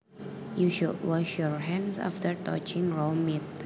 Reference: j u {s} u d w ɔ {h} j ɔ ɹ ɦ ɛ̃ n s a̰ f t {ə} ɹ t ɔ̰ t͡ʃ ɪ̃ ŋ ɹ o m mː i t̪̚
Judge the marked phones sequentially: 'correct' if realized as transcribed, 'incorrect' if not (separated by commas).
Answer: incorrect, incorrect, correct